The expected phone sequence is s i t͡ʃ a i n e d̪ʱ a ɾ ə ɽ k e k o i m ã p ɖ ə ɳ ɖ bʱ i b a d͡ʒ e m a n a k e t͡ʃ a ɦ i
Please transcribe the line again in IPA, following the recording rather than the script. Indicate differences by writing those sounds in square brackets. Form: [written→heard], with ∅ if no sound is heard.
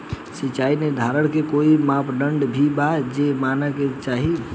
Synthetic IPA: s i t͡ʃ a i n e d̪ʱ a ɾ ə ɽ k e k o i m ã p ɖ ə ɳ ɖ bʱ i b a d͡ʒ e m a n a k e t͡ʃ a ɦ i